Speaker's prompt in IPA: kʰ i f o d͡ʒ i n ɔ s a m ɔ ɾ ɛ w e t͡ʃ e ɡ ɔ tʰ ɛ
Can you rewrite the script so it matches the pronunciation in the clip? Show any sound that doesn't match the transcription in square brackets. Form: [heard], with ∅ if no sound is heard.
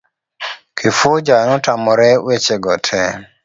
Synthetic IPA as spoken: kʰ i f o d͡ʒ [a] n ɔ [t] a m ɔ ɾ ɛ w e t͡ʃ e ɡ ɔ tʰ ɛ